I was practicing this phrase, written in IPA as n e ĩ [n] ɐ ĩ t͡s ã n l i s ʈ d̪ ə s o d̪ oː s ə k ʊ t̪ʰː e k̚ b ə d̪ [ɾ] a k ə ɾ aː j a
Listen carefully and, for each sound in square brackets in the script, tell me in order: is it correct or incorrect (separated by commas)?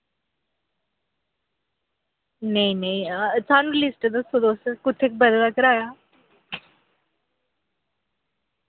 correct, incorrect